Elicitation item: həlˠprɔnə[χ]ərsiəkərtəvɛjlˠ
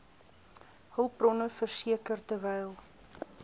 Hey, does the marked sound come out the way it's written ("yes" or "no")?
no